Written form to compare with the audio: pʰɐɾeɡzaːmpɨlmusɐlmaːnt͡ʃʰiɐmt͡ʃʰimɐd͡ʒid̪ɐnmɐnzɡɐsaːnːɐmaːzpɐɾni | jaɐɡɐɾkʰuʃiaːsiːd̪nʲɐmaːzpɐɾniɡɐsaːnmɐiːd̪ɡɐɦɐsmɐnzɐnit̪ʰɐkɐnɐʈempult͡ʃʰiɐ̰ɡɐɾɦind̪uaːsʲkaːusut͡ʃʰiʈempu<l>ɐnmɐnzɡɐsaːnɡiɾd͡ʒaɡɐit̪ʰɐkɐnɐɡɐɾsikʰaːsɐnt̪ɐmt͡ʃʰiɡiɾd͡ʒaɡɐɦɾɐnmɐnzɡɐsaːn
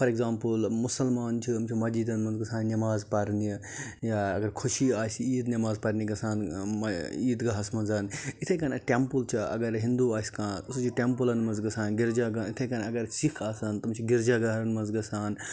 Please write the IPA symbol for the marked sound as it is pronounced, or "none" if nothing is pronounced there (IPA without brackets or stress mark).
l